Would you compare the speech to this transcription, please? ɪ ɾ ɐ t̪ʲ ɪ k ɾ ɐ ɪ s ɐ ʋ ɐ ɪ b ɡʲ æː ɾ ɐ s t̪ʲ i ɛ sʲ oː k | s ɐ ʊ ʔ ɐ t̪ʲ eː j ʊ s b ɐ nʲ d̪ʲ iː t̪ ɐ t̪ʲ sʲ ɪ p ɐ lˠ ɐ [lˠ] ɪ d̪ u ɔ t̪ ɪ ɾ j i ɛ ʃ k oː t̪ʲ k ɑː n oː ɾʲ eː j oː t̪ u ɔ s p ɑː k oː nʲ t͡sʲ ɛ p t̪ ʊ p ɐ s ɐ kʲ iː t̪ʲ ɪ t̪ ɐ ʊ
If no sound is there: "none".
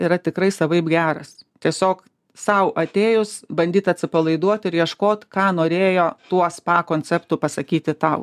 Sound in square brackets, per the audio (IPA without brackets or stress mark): none